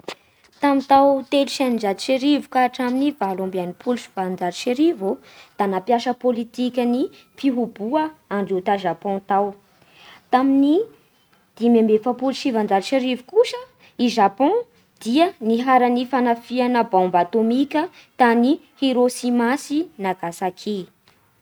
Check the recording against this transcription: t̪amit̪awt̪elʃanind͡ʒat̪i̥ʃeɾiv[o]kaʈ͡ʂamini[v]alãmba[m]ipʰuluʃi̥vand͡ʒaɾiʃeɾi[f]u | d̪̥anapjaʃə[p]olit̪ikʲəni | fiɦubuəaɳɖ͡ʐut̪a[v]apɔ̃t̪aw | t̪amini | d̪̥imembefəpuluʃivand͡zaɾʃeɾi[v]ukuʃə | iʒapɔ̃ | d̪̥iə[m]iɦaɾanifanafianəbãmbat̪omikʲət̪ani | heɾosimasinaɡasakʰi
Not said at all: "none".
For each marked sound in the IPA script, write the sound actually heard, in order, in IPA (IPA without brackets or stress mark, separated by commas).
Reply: u, v, n, v, p, ʒ, v, n